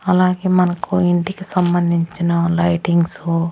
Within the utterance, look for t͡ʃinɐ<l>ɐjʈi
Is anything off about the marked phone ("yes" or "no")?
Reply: no